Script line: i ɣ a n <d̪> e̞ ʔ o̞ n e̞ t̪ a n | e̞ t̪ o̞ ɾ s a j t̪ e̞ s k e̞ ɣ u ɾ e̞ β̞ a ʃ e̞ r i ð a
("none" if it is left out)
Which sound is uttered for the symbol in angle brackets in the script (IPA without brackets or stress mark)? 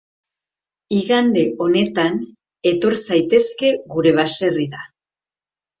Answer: d̪